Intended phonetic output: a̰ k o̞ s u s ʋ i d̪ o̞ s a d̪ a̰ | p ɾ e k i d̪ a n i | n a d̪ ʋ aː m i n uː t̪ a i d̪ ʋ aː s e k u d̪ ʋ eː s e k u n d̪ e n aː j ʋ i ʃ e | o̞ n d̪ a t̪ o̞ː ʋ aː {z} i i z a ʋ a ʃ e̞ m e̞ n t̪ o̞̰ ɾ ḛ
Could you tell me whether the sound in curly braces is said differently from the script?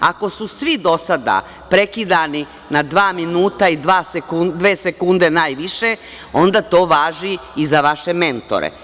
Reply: yes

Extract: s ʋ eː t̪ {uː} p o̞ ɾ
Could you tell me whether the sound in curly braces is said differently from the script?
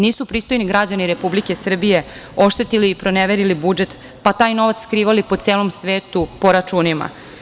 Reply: yes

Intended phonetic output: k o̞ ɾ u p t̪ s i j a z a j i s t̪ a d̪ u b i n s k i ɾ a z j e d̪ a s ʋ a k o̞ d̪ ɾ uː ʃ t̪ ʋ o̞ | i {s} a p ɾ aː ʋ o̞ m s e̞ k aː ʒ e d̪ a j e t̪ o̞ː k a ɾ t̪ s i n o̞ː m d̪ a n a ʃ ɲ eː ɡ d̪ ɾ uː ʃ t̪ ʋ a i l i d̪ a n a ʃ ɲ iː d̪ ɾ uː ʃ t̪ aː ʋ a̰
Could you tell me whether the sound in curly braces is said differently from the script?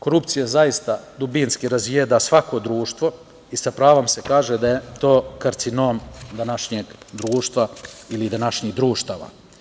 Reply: no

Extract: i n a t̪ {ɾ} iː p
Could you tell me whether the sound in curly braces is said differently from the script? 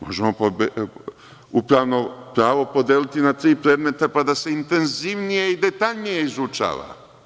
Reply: no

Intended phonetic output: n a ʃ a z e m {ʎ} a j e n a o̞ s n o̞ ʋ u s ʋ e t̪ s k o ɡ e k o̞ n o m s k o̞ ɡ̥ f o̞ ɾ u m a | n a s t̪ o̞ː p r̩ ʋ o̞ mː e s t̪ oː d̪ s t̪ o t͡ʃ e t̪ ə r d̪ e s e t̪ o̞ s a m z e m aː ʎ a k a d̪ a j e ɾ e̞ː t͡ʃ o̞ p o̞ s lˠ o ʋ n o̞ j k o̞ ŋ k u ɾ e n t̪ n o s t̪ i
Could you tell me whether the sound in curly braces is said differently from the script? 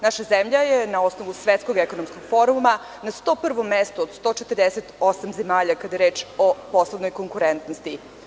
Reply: no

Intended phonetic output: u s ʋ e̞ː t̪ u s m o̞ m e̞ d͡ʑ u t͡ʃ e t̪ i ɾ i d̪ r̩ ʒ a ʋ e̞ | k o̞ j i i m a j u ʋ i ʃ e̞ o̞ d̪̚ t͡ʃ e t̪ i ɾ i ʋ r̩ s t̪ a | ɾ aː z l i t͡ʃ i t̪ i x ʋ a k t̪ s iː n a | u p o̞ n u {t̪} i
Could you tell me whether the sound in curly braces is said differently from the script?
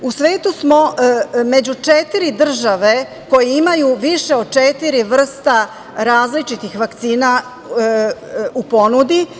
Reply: yes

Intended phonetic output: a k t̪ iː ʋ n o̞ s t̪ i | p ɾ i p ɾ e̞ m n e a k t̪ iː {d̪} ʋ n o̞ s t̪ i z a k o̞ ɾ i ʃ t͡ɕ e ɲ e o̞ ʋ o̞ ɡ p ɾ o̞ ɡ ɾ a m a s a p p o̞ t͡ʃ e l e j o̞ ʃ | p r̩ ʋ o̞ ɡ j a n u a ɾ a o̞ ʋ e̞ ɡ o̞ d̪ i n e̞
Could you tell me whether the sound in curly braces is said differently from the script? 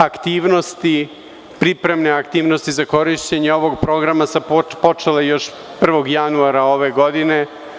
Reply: yes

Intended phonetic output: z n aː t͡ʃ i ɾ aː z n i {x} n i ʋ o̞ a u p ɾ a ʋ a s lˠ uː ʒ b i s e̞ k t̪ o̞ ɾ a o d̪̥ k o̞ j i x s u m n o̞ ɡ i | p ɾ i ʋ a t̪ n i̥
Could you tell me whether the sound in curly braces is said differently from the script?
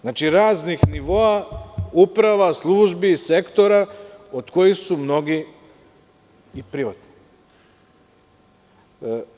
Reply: no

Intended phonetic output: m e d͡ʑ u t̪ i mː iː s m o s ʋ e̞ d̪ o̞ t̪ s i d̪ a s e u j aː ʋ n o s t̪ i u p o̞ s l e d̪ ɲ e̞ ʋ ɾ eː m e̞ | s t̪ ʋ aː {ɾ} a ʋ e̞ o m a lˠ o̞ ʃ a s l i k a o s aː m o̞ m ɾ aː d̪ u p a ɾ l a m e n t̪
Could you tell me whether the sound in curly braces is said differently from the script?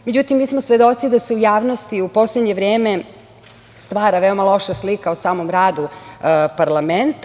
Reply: no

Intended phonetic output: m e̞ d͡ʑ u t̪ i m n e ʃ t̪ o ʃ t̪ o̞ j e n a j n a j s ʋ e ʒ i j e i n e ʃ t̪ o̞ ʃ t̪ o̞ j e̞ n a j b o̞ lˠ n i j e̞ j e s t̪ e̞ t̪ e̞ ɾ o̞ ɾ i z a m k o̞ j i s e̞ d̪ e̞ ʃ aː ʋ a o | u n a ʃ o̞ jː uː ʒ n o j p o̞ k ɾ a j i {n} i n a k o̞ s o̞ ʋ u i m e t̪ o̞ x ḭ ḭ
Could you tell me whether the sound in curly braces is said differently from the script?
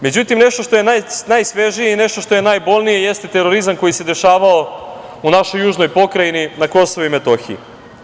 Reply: no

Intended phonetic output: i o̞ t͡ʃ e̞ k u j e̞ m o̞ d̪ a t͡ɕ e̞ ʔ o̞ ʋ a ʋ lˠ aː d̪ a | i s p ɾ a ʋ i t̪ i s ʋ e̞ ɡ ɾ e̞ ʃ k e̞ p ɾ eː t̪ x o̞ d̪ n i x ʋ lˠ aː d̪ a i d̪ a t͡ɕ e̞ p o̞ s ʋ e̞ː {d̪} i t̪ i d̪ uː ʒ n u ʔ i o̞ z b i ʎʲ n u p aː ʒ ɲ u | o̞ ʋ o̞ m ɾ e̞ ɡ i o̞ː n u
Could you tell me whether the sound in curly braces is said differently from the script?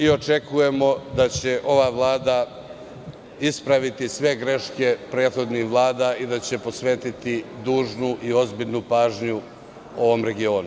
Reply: yes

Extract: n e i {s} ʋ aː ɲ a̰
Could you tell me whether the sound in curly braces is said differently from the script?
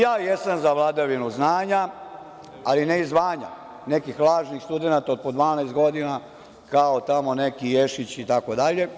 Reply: yes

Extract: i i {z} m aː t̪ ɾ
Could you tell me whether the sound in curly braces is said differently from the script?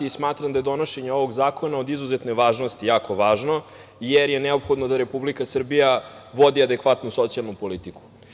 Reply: yes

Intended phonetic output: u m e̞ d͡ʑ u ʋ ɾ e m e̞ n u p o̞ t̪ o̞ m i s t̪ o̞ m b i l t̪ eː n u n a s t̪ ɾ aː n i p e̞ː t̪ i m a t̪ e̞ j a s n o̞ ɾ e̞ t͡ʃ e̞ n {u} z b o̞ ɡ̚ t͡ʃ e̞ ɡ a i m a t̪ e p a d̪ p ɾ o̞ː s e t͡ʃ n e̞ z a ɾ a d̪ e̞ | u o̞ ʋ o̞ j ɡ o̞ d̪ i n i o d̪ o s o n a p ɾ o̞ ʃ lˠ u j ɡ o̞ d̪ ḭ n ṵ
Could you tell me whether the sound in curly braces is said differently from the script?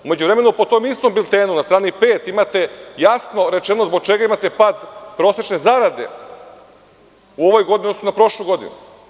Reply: yes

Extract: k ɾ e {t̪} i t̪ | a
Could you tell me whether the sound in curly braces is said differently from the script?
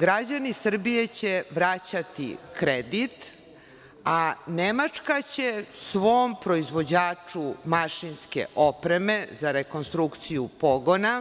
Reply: yes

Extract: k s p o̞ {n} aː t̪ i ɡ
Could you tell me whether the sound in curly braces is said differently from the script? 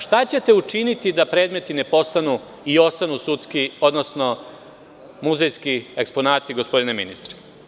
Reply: no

